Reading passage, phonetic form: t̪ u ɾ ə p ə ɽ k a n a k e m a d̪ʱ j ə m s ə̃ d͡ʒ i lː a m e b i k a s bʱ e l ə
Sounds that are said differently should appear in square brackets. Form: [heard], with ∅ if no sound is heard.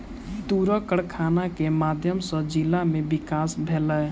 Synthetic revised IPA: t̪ u ɾ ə [k] ə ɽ [kʰ] a n a k e m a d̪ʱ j ə m s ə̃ d͡ʒ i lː a m e b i k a s bʱ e l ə